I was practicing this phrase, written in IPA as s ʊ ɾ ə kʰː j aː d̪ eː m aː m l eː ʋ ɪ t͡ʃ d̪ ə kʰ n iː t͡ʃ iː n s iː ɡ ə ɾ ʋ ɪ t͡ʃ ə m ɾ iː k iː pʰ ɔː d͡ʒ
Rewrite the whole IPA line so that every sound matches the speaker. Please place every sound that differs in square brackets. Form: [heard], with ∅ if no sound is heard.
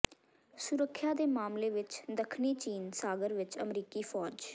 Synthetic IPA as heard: s ʊ ɾ ə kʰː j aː d̪ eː m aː m l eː ʋ ɪ t͡ʃ d̪ ə kʰ n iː t͡ʃ iː n s [aː] ɡ ə ɾ ʋ ɪ t͡ʃ ə m ɾ iː k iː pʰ ɔː d͡ʒ